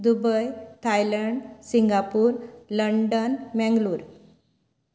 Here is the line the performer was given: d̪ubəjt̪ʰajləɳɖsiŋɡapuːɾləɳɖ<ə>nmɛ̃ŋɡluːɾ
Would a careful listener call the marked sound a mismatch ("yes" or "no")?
no